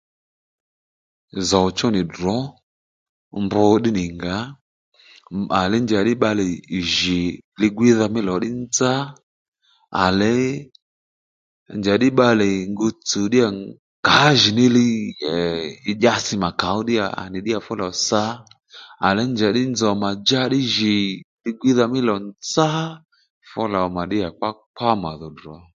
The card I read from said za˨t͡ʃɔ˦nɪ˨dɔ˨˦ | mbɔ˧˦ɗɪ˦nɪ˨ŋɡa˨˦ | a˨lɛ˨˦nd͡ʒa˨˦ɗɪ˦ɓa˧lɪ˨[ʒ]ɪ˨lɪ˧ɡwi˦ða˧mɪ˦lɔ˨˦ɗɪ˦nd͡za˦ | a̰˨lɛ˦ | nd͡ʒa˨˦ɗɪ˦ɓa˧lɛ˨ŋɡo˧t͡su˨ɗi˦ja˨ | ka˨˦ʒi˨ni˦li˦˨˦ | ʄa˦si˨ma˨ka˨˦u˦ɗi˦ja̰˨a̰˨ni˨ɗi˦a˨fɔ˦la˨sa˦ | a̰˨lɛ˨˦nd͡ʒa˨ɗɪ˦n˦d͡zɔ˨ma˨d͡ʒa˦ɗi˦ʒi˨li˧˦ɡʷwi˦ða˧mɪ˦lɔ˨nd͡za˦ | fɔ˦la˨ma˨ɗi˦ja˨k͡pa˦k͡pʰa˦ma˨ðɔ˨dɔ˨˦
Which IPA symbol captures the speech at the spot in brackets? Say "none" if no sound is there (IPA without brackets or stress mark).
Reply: ʒ